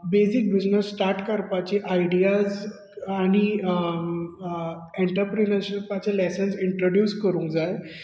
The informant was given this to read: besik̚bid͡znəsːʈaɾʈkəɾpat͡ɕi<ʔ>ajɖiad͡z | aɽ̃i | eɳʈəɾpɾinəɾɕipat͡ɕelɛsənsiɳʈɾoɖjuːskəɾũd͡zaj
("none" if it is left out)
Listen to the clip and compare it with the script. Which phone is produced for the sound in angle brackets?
ʔ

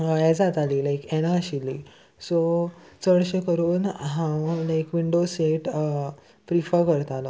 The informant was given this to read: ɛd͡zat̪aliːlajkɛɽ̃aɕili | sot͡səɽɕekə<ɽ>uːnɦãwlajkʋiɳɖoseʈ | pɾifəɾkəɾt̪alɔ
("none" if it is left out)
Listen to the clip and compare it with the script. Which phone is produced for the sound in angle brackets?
ɾ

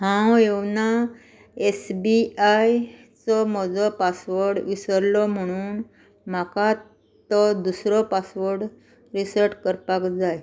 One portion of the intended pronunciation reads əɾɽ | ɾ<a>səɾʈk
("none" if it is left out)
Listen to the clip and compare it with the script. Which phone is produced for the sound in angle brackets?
i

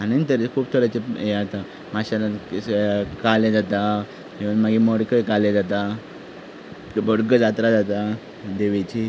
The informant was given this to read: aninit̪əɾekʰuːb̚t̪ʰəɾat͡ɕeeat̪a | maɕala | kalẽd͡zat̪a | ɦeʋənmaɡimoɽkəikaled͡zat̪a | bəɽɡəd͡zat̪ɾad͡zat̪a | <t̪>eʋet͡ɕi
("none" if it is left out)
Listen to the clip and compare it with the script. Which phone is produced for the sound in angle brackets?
d̪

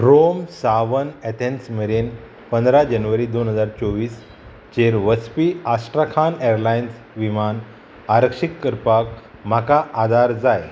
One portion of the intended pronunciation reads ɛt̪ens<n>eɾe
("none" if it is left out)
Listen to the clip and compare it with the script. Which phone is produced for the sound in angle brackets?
m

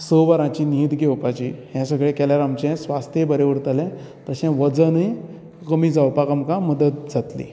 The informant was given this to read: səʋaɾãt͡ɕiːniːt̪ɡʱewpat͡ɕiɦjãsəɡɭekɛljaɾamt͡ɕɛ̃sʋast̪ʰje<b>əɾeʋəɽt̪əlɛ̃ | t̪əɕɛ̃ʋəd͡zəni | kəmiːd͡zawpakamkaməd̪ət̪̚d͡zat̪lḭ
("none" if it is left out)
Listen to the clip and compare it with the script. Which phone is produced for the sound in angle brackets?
b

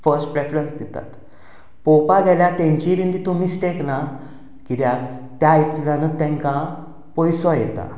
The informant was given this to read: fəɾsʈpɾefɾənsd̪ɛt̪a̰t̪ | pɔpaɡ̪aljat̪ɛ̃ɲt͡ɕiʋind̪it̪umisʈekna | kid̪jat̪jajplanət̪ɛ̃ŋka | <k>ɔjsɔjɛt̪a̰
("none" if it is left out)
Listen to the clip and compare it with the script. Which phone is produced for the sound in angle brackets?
p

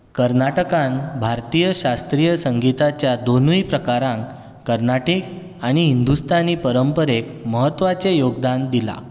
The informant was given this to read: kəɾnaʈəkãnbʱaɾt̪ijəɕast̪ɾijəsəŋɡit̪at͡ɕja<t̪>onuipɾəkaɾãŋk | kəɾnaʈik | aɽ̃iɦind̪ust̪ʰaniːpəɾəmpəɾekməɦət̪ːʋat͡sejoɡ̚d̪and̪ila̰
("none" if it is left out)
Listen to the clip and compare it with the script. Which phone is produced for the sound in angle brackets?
d̪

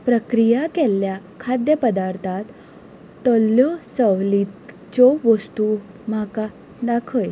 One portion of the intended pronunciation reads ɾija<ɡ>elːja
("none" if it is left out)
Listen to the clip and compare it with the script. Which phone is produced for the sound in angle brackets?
k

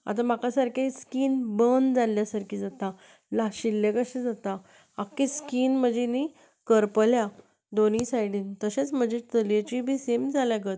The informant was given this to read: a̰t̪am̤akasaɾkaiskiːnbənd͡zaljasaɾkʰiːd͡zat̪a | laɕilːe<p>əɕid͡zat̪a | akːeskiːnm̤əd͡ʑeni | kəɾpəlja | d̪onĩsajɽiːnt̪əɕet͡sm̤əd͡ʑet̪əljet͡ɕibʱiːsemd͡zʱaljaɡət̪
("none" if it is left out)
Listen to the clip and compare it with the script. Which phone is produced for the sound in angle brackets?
k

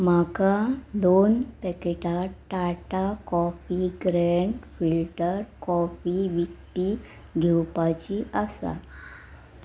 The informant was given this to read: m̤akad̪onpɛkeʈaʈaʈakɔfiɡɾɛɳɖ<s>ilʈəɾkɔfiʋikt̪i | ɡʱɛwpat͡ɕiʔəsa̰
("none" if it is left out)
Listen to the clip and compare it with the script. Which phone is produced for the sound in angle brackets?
f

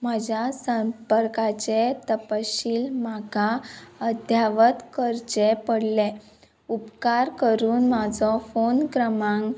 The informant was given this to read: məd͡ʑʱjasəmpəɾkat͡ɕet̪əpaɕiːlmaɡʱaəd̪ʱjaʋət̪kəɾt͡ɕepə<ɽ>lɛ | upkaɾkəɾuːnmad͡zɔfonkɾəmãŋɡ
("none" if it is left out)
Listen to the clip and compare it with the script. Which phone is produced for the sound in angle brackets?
ɽ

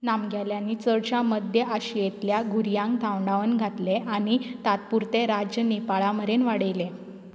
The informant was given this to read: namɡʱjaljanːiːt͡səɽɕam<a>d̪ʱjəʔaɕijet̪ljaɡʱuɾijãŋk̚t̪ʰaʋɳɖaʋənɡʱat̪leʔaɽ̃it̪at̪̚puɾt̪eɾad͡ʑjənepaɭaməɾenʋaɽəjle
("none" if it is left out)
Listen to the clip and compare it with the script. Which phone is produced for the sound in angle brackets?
ə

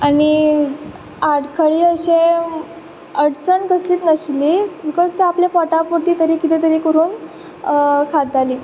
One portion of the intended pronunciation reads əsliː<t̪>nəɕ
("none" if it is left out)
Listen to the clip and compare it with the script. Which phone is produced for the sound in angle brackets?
t̪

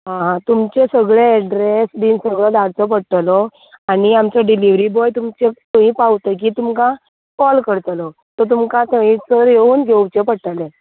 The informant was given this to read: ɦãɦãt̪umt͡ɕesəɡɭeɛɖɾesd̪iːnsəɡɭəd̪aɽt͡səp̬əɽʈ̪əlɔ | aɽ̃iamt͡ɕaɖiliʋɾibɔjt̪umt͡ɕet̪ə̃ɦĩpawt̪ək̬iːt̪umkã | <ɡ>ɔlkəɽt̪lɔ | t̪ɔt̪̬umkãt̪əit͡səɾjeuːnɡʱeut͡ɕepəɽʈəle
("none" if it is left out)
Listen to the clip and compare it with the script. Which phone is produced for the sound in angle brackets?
k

